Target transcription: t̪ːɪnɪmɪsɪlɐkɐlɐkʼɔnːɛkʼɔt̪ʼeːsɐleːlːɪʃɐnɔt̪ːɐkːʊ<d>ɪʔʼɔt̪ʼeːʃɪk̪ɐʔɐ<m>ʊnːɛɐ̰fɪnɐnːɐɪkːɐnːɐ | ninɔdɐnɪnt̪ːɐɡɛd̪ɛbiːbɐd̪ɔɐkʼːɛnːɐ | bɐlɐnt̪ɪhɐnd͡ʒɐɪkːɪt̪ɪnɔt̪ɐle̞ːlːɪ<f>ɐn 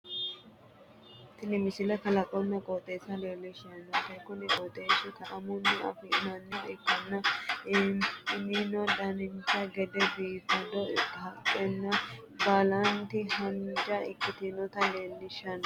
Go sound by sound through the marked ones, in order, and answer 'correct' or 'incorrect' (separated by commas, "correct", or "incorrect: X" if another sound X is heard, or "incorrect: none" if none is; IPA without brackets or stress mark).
incorrect: n, correct, incorrect: ʃ